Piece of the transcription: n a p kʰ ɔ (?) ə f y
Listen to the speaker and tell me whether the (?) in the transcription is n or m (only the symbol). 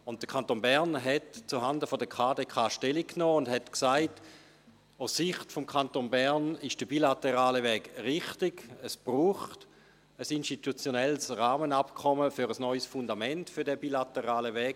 m